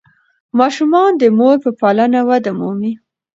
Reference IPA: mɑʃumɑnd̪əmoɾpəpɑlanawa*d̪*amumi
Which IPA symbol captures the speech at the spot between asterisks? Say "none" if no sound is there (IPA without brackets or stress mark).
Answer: d̪